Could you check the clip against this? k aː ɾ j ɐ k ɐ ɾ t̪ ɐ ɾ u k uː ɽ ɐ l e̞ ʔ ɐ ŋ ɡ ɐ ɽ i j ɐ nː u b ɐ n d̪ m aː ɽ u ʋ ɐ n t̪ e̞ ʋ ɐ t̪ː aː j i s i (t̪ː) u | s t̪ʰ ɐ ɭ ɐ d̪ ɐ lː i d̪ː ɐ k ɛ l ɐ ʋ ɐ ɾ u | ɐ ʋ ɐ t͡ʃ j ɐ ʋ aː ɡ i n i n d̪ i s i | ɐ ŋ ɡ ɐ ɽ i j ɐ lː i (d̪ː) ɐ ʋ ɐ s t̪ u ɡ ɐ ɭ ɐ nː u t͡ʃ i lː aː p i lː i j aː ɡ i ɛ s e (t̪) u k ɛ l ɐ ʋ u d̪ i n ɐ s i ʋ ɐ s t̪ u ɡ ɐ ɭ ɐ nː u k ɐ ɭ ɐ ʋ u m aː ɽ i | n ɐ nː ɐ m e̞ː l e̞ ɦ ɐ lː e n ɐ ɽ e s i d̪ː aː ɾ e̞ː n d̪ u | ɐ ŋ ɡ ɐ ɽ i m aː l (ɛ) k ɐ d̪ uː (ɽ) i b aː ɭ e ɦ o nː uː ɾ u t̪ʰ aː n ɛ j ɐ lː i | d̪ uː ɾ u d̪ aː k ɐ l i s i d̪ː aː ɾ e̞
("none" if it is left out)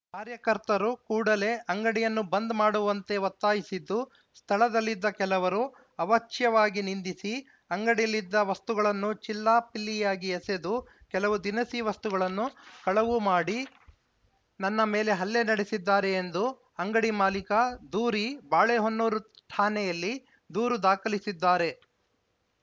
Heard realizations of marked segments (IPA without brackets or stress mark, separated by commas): d̪ː, d̪ː, d̪, i, ɾ